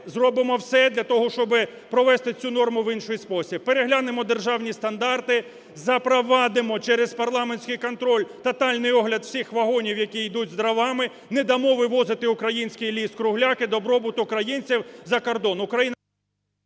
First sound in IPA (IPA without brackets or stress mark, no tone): z